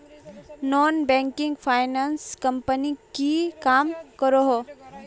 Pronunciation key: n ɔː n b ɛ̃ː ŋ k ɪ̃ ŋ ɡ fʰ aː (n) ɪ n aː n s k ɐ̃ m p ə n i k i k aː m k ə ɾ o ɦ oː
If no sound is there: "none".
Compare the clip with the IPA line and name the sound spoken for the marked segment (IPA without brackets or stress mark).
none